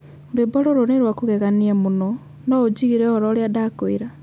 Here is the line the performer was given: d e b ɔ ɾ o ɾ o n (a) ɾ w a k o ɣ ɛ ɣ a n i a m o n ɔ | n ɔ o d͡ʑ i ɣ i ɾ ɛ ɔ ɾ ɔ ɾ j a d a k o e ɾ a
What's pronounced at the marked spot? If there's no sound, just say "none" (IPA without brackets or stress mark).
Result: e